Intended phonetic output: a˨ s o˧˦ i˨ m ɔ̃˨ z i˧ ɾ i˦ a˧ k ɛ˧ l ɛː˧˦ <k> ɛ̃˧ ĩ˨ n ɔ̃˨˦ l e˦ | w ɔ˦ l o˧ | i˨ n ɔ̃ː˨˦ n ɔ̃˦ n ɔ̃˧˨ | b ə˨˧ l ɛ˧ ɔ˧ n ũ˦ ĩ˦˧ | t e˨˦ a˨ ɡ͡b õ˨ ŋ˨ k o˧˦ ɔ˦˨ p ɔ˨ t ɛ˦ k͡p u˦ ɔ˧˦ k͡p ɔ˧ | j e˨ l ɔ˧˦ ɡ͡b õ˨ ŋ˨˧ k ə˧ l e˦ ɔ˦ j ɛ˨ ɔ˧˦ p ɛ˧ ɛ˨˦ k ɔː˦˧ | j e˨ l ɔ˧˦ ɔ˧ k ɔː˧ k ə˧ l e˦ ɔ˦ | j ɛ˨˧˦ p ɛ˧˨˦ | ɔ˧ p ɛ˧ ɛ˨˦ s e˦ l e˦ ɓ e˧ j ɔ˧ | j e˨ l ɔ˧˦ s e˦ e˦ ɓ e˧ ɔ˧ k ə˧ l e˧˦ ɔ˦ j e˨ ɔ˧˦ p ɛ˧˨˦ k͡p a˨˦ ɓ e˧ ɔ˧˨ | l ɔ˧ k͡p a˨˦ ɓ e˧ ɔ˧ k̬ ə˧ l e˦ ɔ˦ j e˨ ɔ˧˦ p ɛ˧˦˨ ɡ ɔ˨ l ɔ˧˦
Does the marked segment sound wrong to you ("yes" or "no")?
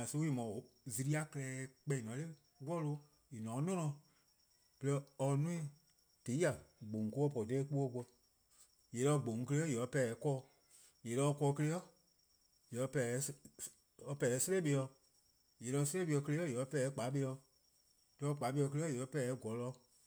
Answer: yes